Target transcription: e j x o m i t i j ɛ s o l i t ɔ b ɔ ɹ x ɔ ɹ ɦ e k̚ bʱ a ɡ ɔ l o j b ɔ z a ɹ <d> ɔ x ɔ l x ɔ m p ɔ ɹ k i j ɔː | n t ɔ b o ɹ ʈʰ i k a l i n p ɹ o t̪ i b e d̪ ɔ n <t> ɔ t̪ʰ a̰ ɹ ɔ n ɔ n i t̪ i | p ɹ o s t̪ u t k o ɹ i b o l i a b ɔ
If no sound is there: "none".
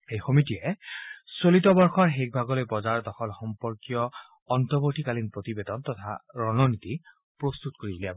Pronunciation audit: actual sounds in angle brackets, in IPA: d, t

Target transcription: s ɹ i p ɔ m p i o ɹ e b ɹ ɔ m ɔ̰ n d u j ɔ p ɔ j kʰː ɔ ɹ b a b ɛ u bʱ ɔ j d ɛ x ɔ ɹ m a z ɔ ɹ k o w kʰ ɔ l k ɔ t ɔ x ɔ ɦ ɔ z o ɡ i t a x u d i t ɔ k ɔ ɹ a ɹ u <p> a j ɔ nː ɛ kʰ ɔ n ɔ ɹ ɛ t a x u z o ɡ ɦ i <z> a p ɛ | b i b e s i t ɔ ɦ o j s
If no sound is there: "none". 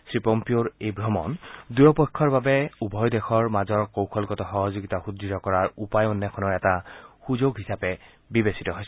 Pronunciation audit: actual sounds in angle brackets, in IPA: p, s

